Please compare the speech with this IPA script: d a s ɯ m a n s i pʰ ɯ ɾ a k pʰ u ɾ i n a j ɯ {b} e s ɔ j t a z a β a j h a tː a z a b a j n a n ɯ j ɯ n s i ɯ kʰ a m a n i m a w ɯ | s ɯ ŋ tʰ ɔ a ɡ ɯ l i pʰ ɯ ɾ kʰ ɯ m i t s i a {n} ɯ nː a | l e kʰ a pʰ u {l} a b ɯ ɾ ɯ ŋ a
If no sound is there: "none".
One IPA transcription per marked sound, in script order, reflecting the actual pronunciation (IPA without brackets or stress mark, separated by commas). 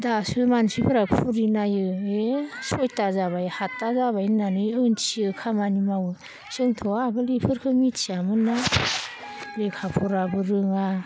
none, m, ɾ